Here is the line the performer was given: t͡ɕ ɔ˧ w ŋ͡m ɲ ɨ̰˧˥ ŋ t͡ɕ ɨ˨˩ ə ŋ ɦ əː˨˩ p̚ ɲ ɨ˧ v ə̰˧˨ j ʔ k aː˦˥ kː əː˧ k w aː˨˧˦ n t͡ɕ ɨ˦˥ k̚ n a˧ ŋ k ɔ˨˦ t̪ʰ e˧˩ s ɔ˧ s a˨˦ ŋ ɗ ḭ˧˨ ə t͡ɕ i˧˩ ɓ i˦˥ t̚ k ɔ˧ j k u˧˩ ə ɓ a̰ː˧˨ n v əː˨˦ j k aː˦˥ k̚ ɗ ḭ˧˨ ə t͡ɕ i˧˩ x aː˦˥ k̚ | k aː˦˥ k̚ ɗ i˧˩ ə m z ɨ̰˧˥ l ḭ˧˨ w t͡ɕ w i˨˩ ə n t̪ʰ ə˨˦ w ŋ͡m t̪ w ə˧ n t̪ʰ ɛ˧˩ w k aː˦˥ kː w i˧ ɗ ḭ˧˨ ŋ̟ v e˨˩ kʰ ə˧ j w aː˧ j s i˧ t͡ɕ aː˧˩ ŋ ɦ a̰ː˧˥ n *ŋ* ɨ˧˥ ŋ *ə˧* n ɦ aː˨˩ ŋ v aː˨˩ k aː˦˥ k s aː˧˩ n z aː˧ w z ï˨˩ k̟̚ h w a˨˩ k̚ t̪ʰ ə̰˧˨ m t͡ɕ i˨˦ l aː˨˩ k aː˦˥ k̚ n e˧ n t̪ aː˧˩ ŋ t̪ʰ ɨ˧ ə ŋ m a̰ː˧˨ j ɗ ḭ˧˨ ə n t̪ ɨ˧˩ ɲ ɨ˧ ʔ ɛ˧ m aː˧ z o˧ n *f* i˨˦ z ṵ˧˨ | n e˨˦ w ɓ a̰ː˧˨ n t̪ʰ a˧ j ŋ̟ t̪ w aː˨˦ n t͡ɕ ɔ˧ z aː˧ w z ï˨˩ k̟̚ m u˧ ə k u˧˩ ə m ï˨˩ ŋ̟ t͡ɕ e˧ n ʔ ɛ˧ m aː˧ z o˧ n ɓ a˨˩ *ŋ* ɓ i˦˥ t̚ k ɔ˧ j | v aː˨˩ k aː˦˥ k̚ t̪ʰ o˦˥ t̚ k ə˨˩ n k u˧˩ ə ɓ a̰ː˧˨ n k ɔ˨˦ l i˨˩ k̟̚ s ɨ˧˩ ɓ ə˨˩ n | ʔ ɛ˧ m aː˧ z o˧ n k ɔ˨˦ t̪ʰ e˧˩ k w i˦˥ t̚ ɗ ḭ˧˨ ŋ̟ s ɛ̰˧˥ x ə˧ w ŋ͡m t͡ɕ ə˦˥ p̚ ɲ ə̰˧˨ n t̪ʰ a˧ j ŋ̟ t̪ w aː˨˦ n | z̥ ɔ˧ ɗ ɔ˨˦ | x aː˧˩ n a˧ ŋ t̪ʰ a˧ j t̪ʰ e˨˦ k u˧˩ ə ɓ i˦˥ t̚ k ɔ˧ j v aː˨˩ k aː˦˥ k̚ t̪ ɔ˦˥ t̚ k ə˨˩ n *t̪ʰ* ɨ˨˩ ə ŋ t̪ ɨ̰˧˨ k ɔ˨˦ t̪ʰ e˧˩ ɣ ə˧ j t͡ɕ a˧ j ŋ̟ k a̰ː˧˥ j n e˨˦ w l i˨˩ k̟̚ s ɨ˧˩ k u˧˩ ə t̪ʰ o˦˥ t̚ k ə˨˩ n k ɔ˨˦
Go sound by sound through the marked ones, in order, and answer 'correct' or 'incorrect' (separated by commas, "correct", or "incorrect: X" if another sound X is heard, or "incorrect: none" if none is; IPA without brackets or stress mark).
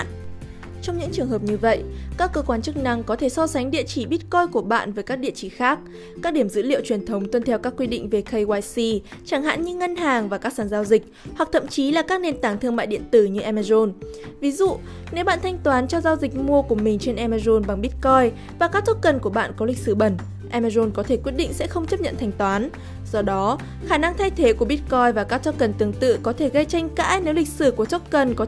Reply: incorrect: ɲ, correct, incorrect: v, correct, incorrect: t̪